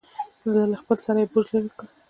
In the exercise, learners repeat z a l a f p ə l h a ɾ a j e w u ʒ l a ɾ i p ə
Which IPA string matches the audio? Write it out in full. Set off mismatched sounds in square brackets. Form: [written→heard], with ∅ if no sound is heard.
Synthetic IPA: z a l a [f→x] p ə l [h→s] a ɾ a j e [w→b] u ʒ l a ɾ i [p→k] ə

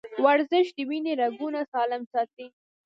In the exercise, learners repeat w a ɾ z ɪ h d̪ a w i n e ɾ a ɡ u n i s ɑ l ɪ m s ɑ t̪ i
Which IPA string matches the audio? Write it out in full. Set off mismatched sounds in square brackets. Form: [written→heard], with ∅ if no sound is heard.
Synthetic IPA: w a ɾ z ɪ [h→ʃ] d̪ [a→ə] w i n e ɾ a ɡ u n [i→a] s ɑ l ɪ m s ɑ t̪ i

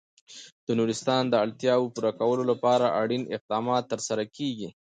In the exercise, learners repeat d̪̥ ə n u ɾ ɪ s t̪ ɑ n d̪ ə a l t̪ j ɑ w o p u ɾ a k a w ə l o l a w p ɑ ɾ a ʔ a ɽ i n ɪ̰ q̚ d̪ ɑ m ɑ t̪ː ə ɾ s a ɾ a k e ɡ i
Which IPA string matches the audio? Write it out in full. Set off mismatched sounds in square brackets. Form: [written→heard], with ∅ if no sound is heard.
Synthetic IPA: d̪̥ ə n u ɾ ɪ s t̪ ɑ n d̪ ə a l t̪ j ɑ w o p u ɾ a k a w ə l o l a [w→∅] p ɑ ɾ a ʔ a ɽ i n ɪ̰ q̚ d̪ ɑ m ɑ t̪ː ə ɾ s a ɾ a k e ɡ i

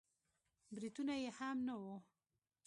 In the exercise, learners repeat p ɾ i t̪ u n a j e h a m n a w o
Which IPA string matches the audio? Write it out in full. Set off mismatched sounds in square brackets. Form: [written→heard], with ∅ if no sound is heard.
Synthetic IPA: [p→b] ɾ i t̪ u n a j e h a m n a w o

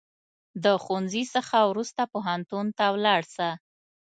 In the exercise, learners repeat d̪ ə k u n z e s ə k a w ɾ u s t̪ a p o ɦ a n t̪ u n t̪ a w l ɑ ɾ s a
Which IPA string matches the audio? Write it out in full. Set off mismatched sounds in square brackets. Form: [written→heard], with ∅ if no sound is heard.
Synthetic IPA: d̪ ə [k→x] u n z [e→i] s ə [k→x] a w ɾ u s t̪ a p o ɦ a n t̪ u n t̪ a w l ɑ [ɾ→ɽ] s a

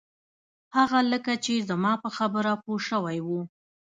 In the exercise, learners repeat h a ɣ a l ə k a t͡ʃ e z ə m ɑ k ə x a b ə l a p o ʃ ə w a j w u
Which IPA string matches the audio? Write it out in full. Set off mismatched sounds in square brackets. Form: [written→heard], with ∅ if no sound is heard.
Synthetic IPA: h a ɣ a l ə k a t͡ʃ e z ə m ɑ [k→p] ə x a b ə [l→ɾ] a p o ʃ ə w a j w u

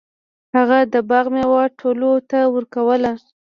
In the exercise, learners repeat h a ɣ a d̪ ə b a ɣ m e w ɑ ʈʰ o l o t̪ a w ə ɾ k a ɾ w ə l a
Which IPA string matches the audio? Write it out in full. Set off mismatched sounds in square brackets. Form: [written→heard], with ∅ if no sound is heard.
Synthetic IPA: h a ɣ a d̪ ə b a ɣ m e w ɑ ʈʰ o l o t̪ a w ə ɾ k a [ɾ→∅] w ə l a

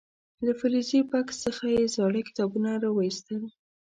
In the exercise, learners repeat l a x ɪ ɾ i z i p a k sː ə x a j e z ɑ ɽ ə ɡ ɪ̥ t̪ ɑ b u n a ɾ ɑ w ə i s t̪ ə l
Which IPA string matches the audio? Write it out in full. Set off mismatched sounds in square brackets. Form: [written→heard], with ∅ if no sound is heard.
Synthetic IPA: l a [x→f] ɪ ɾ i z i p a k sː ə x a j e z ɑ ɽ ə [ɡ→k] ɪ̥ t̪ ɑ b u n a ɾ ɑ w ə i s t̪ ə l

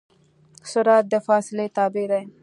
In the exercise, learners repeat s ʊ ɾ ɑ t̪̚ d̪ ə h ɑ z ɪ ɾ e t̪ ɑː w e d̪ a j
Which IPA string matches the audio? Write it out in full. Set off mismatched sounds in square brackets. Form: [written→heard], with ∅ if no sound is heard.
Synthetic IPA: s ʊ ɾ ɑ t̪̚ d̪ ə [h→f] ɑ [z→s] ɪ [ɾ→l] e t̪ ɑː [w→b] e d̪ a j

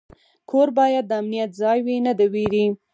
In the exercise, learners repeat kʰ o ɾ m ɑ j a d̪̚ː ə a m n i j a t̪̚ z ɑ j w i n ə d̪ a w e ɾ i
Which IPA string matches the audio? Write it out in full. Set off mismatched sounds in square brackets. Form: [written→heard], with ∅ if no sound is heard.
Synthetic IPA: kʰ o ɾ [m→b] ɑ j a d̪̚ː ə a m n i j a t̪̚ z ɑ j w i n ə d̪ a w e ɾ i

